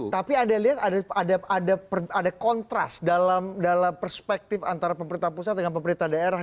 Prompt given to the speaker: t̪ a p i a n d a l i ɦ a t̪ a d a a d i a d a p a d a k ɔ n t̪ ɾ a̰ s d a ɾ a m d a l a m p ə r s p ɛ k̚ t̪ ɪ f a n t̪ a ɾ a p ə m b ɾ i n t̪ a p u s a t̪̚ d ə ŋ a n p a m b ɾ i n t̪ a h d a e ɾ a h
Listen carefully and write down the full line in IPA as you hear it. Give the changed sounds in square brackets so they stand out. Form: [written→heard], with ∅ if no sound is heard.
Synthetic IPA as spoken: t̪ a p i a n d a l i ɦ a t̪ a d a a d [i→a] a d a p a d a k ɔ n t̪ ɾ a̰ s d a [ɾ→l] a m d a l a m p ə r s p ɛ k̚ t̪ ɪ f a n t̪ a ɾ a p ə m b ɾ i n t̪ a p u s a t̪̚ d ə ŋ a n p [a→ə] m b ɾ i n t̪ a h d a e ɾ a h